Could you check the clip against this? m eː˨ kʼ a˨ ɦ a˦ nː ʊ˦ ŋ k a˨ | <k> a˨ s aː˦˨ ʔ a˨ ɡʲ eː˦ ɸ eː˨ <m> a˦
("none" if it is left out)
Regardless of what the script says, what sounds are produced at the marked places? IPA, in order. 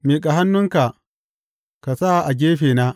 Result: k, n

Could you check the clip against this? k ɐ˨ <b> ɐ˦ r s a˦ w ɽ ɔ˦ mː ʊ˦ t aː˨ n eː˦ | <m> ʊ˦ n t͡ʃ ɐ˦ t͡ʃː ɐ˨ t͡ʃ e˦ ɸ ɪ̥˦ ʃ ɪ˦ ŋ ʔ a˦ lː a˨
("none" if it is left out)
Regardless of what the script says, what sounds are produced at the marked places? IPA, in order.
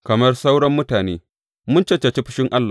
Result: m, m

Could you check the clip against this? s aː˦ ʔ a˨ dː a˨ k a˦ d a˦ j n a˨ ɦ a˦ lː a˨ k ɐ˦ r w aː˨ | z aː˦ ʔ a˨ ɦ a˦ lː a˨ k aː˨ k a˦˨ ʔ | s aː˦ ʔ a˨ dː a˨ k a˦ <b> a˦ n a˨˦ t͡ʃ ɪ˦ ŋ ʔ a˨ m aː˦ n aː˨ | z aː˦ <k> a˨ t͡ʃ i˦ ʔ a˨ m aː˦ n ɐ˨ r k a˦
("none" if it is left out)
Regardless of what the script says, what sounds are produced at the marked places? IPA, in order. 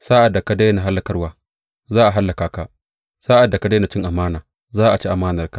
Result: d, ʔ

